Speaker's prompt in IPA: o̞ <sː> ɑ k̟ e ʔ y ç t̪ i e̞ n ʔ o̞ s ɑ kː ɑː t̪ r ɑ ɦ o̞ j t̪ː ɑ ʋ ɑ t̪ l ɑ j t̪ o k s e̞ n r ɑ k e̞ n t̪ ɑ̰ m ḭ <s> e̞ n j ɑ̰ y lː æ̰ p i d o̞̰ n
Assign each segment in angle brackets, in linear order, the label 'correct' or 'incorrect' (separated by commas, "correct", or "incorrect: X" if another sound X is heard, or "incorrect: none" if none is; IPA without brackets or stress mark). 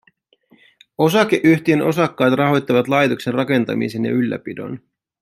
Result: incorrect: s, correct